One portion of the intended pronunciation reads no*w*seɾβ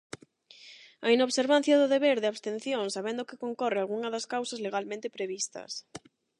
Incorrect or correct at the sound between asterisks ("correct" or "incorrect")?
incorrect